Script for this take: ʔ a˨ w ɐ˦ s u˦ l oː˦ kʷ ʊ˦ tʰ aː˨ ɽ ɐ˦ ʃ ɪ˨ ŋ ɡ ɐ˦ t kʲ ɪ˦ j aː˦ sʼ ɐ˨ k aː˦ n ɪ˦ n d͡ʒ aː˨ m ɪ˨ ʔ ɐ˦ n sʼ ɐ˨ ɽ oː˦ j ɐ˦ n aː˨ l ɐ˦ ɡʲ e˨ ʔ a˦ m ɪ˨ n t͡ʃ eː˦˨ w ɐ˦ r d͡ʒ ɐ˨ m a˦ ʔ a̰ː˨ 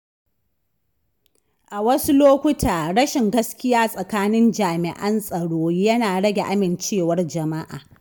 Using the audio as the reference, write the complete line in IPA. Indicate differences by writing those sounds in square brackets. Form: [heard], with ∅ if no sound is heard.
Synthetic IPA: ʔ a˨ w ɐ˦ s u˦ l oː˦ kʷ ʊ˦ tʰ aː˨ ɽ ɐ˦ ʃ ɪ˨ ŋ ɡ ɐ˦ [s] kʲ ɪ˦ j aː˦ sʼ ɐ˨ k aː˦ n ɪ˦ n d͡ʒ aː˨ m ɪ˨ ʔ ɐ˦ n sʼ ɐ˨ ɽ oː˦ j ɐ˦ n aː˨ [ɽ] ɐ˦ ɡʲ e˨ ʔ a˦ m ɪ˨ n t͡ʃ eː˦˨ w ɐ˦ r d͡ʒ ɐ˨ m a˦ ʔ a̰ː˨